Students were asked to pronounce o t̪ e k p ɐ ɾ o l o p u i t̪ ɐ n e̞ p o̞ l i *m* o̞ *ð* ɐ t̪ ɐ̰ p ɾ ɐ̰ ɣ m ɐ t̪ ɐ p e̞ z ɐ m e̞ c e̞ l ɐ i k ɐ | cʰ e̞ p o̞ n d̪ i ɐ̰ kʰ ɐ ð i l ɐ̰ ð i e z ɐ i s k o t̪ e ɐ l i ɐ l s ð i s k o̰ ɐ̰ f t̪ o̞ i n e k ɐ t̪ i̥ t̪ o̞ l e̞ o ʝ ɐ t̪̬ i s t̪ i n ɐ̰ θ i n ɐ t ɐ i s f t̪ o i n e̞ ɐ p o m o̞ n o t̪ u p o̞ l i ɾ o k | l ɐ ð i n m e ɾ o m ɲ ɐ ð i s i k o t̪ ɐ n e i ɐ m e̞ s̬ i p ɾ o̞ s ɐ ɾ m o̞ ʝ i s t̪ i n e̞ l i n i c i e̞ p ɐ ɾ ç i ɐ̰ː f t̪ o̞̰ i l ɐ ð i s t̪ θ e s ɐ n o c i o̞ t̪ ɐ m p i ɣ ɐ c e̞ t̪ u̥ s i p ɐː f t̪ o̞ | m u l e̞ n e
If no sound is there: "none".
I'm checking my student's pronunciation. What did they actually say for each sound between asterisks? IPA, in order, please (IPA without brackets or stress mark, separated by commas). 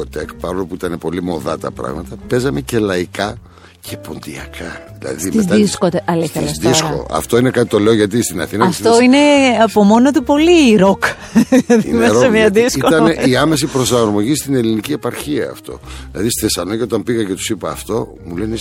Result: m, ð